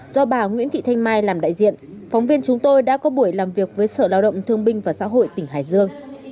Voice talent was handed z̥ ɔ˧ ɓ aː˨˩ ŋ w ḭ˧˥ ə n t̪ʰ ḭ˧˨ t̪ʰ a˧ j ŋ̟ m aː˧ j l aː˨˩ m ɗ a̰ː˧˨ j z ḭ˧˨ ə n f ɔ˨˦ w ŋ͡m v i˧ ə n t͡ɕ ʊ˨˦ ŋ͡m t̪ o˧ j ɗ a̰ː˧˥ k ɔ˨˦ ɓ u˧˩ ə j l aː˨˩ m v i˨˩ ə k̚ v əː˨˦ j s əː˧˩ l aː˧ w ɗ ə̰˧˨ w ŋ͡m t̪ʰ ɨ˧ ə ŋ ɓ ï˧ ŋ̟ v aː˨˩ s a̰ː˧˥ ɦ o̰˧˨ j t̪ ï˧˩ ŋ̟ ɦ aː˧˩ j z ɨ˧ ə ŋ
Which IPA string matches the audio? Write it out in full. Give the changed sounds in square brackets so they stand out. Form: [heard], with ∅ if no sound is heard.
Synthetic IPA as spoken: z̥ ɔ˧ ɓ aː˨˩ ŋ w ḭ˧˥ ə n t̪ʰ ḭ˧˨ t̪ʰ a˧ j ŋ̟ m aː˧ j l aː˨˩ m ɗ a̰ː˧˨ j z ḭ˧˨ ə n f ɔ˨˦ w ŋ͡m v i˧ ə n t͡ɕ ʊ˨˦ ŋ͡m t̪ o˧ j ɗ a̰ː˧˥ k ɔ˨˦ ɓ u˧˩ ə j l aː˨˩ m v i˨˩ ə k̚ v əː˨˦ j s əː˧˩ l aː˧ w ɗ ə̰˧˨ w ŋ͡m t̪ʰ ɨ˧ ə ŋ ɓ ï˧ ŋ̟ v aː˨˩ s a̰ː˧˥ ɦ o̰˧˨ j t̪ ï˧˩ ŋ̟ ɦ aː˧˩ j z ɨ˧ ə ŋ